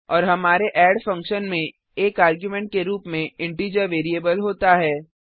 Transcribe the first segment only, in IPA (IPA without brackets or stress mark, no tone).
ɔː